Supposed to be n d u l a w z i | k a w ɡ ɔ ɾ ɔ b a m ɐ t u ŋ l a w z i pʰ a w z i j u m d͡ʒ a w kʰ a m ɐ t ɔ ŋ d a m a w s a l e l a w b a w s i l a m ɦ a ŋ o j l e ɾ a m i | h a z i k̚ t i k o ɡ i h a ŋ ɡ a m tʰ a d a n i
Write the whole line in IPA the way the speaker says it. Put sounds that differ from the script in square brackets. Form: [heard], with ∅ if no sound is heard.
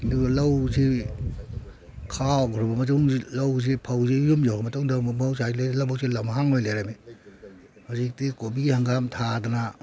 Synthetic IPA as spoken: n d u l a w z i | [kʰ] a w ɡ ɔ ɾ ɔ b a m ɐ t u ŋ l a w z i pʰ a w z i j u m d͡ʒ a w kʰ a m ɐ t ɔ ŋ d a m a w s a l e l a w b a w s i l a m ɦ a ŋ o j l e ɾ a m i | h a z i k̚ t i k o [b] i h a ŋ ɡ a m tʰ a d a n [a]